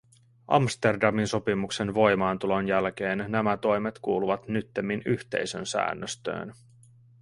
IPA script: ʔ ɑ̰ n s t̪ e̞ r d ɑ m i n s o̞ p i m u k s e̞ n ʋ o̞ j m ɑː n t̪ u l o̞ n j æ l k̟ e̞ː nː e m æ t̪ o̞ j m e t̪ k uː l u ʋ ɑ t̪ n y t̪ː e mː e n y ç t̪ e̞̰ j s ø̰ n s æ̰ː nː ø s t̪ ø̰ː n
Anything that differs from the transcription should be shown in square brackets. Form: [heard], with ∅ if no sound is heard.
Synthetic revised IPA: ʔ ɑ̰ [m] s t̪ e̞ r d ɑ m i n s o̞ p i m u k s e̞ n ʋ o̞ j m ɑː n t̪ u l o̞ n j æ l k̟ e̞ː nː [æ] m æ t̪ o̞ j m e t̪ k uː l u ʋ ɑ t̪ n y t̪ː e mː [i] n y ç t̪ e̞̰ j s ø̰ n s æ̰ː nː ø s t̪ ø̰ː n